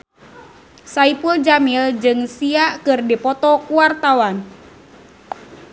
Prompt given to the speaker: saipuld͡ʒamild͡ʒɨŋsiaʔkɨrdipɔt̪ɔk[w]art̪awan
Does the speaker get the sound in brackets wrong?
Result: yes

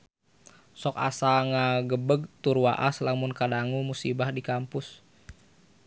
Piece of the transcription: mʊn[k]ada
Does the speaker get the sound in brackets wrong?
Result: no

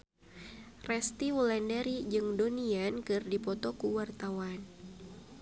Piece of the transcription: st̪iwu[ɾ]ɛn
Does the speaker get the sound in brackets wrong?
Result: yes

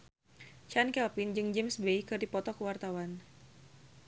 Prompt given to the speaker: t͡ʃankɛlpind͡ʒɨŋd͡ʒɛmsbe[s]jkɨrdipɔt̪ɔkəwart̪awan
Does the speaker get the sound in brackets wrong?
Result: yes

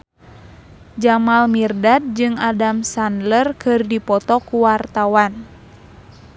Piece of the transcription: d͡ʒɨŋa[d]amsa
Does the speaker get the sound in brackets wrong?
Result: no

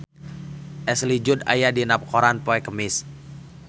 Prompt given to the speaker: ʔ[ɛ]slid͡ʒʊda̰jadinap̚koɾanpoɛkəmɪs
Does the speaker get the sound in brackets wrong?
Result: no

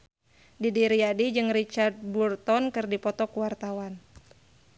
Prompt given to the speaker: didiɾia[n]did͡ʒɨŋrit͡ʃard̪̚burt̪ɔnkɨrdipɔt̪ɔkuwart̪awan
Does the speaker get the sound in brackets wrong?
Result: yes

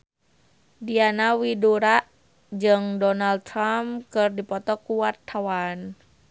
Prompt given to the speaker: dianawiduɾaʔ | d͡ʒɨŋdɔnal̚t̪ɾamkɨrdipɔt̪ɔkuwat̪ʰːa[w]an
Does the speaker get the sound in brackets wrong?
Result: no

